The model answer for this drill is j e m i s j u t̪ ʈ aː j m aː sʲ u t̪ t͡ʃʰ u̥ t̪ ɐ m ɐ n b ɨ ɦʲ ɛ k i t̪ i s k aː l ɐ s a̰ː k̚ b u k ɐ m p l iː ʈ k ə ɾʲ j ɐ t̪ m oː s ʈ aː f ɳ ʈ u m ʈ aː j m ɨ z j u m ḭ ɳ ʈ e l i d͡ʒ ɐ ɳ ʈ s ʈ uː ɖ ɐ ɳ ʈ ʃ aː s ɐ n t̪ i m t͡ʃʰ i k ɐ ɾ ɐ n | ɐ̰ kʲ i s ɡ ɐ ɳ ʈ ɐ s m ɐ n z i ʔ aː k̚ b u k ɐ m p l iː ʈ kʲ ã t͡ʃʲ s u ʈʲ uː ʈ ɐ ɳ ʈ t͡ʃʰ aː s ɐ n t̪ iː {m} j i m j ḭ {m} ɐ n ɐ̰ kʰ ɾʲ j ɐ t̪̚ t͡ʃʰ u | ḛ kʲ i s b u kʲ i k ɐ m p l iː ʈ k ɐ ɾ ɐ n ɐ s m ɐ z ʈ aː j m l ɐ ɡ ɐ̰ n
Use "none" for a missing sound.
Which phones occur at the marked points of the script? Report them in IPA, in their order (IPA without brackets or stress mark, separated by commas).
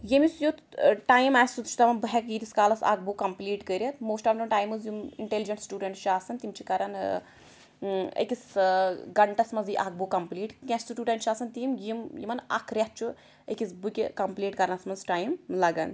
m, m